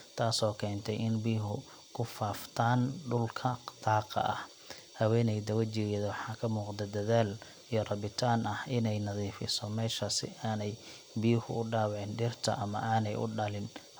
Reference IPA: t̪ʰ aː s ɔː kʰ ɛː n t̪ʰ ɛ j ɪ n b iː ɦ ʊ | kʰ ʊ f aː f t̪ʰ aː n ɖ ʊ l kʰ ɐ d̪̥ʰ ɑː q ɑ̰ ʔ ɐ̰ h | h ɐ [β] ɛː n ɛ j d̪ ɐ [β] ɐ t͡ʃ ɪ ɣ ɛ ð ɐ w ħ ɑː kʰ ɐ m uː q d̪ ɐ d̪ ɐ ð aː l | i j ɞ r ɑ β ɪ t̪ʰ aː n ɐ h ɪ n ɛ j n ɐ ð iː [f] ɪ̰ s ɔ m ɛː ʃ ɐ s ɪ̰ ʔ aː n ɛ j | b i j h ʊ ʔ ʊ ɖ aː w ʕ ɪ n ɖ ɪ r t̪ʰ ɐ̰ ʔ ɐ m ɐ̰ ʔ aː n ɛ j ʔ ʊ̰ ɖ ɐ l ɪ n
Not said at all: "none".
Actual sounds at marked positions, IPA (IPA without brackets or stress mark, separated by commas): w, w, f